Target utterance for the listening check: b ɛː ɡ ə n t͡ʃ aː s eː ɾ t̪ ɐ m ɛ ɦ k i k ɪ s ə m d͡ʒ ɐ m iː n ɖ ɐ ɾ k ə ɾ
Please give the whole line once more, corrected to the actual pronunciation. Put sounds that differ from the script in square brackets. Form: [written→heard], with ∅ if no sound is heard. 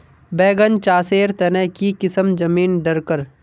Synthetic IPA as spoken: b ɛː ɡ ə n t͡ʃ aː s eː ɾ t̪ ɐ [m→n] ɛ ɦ k i k ɪ s ə m d͡ʒ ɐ m iː n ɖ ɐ ɾ k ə ɾ